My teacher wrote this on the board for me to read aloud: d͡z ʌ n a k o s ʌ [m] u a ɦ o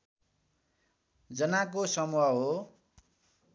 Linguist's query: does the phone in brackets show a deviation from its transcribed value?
no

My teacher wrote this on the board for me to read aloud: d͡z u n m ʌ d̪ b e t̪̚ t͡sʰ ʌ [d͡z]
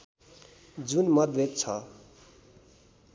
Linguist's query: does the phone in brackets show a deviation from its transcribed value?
yes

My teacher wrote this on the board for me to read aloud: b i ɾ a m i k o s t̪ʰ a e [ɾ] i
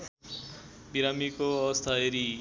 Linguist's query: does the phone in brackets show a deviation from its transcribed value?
no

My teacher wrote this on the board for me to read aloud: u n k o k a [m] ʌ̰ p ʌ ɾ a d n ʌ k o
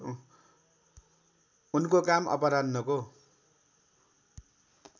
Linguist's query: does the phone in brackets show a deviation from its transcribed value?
no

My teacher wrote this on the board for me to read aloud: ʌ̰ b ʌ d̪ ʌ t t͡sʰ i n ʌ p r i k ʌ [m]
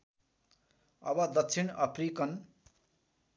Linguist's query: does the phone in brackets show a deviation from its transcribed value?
yes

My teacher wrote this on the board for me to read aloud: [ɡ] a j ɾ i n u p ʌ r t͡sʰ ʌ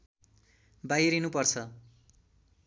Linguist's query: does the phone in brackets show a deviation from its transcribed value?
yes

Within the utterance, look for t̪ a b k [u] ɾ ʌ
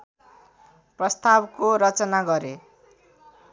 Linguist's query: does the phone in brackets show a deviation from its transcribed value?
yes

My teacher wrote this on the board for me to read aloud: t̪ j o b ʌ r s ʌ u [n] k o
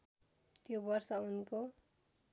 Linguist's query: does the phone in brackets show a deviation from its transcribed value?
no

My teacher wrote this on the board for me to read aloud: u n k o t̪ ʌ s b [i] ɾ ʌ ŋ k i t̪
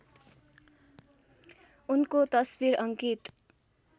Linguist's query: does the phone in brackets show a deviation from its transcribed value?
no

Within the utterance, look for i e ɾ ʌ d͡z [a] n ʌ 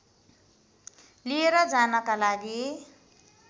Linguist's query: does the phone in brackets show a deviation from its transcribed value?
no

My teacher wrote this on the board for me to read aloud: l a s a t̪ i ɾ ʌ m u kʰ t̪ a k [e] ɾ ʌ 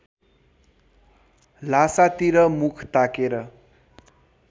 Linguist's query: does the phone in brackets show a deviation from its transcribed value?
no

